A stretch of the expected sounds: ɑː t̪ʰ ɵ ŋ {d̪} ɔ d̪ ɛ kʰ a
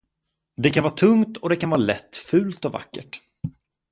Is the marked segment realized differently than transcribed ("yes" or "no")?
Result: yes